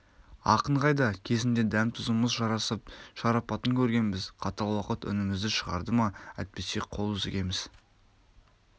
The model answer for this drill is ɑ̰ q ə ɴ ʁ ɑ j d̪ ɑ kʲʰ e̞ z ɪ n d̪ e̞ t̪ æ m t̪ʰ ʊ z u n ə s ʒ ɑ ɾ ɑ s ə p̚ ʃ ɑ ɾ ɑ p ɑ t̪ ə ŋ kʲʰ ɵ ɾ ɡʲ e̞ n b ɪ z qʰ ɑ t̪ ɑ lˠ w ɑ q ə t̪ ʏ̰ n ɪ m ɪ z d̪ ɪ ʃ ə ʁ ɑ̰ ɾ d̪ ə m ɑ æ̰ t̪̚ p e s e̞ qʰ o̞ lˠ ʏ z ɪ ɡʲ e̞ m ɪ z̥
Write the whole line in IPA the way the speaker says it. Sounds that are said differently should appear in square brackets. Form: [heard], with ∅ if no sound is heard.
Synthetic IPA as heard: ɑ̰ q ə ɴ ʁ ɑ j d̪ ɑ kʲʰ e̞ z ɪ n d̪ e̞ [d̪] æ m t̪ʰ ʊ z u [m] ə [z] ʒ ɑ ɾ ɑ s ə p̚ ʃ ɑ ɾ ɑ p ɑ t̪ ə ŋ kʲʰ ɵ ɾ ɡʲ e̞ n b ɪ z qʰ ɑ t̪ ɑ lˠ w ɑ q ə t̪ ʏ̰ n ɪ m ɪ z d̪ ɪ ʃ ə ʁ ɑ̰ ɾ d̪ ə m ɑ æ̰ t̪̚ p e s e̞ qʰ o̞ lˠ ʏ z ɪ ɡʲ e̞ m ɪ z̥